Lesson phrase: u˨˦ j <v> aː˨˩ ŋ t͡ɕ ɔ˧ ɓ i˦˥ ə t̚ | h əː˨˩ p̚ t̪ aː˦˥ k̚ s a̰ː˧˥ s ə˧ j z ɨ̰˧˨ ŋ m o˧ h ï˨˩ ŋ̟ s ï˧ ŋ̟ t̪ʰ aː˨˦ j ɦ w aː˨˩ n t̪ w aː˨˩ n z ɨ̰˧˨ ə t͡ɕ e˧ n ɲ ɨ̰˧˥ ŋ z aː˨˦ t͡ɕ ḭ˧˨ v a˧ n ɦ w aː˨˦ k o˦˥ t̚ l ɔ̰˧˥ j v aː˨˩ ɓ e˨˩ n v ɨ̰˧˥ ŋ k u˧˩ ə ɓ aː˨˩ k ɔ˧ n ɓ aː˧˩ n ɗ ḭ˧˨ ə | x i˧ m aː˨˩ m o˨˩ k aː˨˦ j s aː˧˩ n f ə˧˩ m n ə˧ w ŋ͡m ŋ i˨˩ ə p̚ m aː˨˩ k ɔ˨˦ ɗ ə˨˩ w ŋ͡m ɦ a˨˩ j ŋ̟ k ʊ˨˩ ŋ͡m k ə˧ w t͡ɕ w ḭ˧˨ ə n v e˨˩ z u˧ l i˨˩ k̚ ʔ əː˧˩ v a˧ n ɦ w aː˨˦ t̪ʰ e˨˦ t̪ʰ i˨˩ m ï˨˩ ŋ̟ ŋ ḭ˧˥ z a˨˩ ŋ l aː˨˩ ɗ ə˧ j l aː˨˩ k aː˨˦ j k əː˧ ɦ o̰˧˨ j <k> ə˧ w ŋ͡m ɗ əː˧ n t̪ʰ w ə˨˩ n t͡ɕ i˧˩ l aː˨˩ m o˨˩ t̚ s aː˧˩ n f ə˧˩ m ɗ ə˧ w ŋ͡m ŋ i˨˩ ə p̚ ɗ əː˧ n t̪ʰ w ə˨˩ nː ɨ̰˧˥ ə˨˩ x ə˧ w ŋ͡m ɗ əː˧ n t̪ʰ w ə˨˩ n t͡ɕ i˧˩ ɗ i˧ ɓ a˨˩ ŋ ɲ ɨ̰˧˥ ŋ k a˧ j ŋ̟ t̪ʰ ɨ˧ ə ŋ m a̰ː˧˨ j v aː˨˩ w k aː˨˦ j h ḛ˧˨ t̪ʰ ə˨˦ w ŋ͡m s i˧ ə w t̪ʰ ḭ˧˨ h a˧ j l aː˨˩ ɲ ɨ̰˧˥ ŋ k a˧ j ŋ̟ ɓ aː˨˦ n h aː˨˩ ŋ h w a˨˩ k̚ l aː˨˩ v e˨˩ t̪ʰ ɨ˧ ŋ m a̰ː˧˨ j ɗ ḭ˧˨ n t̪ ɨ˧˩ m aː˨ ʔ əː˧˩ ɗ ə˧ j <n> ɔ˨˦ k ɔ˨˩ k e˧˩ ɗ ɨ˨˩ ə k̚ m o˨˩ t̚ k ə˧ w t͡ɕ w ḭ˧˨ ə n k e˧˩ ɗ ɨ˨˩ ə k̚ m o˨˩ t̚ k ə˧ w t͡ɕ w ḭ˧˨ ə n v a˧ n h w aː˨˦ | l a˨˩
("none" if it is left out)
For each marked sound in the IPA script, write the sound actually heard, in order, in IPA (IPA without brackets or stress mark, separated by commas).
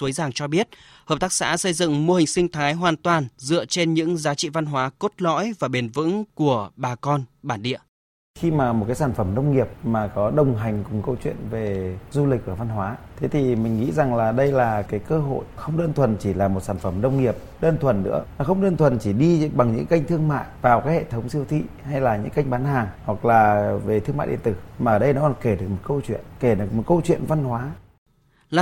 z, x, n